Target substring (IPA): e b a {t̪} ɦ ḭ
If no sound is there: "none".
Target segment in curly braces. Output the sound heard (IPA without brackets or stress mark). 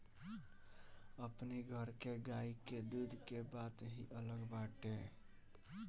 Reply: t̪